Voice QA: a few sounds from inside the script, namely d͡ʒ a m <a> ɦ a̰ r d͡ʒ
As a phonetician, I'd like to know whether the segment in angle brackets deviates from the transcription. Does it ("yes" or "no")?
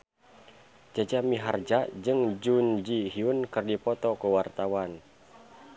yes